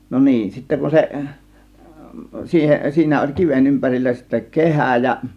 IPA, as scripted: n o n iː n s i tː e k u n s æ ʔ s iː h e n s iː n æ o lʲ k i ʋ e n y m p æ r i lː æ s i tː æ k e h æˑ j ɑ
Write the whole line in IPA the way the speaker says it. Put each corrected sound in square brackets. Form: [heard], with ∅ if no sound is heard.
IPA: n o n iː n s i tː e k u n s [e] ʔ s iː h e n s iː n æ o lʲ k i ʋ e n y m p æ r i lː æ s i tː æ k e h æˑ j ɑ